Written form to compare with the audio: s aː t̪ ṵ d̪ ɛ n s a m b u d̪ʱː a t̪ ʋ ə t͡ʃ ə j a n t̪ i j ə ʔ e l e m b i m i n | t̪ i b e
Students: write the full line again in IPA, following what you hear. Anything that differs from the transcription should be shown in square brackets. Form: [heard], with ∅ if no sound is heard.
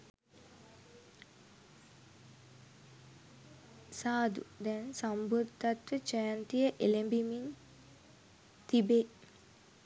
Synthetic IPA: s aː [d̪] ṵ d̪ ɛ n s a m b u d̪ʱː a t̪ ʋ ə t͡ʃ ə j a n t̪ i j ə ʔ e l e m b i m i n | t̪ i b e